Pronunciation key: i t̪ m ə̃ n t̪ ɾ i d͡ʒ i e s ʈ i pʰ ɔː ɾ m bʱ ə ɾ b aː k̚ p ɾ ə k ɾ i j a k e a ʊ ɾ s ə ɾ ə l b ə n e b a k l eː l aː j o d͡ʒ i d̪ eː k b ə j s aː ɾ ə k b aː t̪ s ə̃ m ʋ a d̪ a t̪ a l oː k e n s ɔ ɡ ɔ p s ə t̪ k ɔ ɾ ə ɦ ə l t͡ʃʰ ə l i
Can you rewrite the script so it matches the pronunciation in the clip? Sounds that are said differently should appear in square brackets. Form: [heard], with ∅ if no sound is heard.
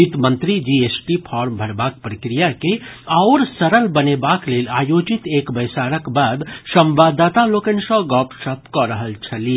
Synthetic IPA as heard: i t̪ m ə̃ n t̪ ɾ i d͡ʒ i e s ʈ i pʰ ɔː ɾ m bʱ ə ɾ b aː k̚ p ɾ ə k ɾ i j a k e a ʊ ɾ s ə ɾ ə l b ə n e b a k l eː l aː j o d͡ʒ i [t̪] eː k b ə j s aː ɾ ə k b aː [d̪] s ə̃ m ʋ a d̪ a t̪ a l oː k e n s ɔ ɡ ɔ p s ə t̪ k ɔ ɾ ə ɦ ə l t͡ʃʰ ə l i